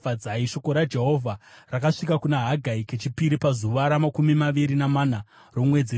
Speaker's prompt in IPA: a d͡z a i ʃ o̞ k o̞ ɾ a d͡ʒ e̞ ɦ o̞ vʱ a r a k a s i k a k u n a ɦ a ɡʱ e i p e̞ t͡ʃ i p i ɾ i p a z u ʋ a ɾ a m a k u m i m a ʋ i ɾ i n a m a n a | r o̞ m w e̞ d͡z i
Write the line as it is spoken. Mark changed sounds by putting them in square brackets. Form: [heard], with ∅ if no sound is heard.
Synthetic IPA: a d͡z a i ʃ o̞ k o̞ ɾ a d͡ʒ e̞ ɦ o̞ vʱ a r a k a [ʂ] i k a k u n a ɦ a ɡʱ [a] i [k] e̞ t͡ʃ i p i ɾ i p a z u ʋ a ɾ a m a k u m i m a ʋ i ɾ i n a m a n a | r o̞ m w e̞ d͡z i